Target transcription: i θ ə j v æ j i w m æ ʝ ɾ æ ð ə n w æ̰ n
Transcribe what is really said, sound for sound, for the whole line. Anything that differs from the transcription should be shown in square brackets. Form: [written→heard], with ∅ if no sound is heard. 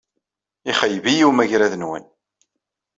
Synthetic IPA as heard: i [θ→χ] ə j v [æ→i] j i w m æ ʝ ɾ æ ð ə n w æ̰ n